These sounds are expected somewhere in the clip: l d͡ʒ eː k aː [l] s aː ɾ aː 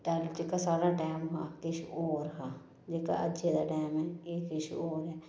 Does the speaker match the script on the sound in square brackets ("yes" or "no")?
no